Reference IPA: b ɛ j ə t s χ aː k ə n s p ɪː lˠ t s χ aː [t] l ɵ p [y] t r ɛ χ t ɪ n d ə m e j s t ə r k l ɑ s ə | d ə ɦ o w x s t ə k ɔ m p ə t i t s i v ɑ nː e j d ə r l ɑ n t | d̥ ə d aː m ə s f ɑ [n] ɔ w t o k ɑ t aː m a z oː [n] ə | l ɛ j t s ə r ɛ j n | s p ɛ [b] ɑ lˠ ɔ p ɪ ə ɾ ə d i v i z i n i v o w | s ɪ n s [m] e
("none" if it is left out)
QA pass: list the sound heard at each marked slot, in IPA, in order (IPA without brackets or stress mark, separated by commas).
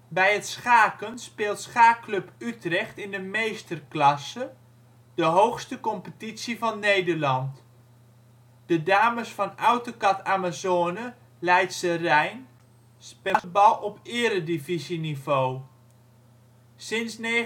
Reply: k, y, n, n, b, n